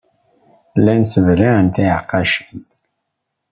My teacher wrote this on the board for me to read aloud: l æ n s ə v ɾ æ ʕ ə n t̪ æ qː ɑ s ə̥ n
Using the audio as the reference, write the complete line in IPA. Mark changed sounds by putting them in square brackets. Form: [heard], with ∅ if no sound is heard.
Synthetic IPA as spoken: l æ n s ə v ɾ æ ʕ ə n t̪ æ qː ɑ [ʃ] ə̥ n